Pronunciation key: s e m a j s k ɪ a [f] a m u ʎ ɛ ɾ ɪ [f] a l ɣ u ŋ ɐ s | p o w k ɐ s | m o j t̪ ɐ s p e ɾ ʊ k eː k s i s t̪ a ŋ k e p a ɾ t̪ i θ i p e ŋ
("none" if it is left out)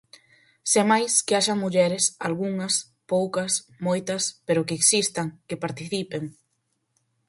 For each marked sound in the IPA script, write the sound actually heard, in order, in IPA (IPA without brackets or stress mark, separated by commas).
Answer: ʃ, s